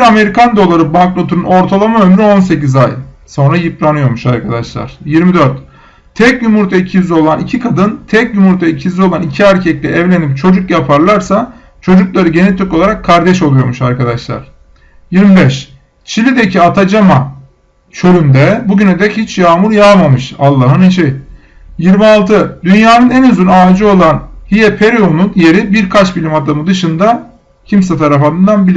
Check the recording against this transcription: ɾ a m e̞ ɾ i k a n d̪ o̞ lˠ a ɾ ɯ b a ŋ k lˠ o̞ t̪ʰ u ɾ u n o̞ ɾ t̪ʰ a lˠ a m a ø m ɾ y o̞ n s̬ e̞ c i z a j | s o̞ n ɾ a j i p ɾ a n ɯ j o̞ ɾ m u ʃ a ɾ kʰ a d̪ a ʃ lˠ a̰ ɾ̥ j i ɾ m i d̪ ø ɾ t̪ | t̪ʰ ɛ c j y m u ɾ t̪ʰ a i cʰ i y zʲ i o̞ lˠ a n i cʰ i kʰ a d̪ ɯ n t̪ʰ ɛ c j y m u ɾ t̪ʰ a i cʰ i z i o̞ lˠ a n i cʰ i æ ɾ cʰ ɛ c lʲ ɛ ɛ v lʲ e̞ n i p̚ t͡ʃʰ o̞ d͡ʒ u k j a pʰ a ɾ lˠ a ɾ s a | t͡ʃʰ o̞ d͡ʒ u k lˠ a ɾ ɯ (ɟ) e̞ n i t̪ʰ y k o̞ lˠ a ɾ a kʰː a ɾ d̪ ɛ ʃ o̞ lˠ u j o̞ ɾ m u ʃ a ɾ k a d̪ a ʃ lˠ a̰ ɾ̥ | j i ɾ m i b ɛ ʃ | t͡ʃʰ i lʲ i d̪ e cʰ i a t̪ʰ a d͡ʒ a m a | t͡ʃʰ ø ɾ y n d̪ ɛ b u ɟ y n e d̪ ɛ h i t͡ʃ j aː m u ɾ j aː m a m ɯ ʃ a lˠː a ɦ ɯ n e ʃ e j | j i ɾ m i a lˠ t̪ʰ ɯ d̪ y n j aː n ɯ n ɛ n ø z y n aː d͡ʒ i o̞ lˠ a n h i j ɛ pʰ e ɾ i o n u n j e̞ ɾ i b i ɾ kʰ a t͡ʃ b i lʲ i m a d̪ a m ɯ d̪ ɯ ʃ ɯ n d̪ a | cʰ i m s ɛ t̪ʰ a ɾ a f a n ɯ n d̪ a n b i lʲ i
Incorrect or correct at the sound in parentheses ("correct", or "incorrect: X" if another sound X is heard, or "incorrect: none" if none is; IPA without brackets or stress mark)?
correct